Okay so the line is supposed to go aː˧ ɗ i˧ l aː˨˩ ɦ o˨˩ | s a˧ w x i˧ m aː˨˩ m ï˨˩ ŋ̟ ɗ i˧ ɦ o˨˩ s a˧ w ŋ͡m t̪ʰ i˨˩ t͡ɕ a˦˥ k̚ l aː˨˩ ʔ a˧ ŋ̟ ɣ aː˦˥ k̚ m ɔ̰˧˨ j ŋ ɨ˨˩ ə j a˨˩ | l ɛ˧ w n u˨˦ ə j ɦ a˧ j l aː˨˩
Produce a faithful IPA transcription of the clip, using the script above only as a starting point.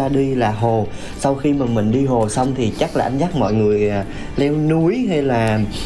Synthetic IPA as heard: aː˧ ɗ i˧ l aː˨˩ ɦ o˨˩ | s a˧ w x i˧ m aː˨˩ m ï˨˩ ŋ̟ ɗ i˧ ɦ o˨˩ s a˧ w ŋ͡m t̪ʰ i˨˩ t͡ɕ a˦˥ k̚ l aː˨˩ ʔ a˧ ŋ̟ z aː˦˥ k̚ m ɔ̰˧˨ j ŋ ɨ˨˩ ə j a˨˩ | l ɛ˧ w n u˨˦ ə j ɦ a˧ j l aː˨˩